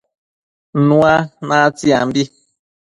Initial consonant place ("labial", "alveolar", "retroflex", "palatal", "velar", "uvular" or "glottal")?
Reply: alveolar